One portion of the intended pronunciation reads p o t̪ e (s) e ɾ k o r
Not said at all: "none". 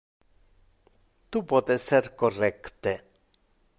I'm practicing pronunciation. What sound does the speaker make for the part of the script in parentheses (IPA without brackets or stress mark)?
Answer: s